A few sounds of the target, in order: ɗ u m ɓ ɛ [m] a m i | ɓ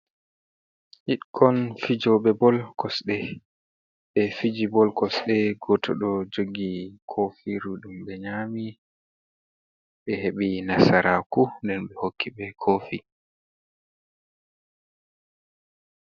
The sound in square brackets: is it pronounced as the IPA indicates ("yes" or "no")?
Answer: no